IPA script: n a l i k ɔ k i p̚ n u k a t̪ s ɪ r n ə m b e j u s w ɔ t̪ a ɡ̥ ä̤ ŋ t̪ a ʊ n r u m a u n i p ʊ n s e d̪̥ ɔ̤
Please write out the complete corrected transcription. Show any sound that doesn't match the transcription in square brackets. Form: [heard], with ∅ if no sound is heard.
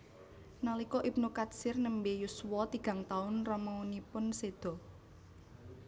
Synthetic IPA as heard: n a l i k ɔ [ʔ] i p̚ n u k a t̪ s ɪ r n ə m b e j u s w ɔ t̪ [i] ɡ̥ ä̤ ŋ t̪ a ʊ n r [ɔ] m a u n i p ʊ n s e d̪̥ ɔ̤